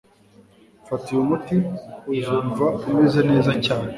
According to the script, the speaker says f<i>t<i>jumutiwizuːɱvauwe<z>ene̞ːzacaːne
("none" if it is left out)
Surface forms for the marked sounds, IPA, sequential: a, i, z

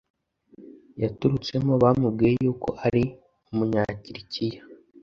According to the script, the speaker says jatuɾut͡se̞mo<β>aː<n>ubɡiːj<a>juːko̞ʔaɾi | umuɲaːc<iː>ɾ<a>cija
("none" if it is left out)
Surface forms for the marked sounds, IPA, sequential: β, m, e, i, i

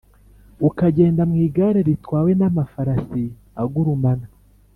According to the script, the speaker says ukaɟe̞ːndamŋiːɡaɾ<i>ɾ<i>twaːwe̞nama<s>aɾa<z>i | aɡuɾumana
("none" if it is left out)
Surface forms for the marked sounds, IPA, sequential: e, i, f, s

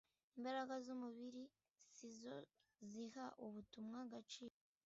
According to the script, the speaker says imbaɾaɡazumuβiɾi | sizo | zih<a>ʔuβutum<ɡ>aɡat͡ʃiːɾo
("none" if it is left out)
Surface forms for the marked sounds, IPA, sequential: a, ŋ

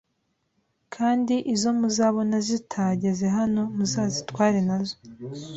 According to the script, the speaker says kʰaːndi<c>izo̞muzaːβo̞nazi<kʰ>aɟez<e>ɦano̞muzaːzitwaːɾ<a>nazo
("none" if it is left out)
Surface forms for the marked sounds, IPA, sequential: ʔ, tʰ, e, e

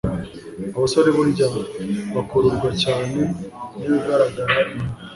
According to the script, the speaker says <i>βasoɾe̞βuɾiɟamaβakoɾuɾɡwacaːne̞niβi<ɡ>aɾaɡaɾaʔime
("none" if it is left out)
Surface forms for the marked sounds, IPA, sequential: a, ɡ

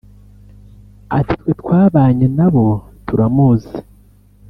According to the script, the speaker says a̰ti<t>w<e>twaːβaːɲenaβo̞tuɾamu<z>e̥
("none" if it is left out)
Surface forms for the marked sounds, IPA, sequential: t, e, z

